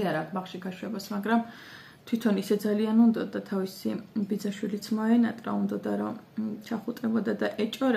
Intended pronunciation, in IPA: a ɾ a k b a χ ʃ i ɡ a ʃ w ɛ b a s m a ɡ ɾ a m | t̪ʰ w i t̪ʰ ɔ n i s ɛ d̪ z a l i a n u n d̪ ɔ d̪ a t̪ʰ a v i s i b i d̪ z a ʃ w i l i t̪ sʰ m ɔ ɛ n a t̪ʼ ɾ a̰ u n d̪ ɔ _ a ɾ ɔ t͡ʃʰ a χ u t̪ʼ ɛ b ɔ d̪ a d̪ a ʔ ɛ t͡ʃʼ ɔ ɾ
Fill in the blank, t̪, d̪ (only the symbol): d̪